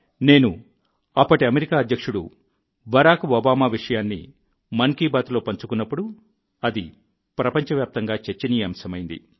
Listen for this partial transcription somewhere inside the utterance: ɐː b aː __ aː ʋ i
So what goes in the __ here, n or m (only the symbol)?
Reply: m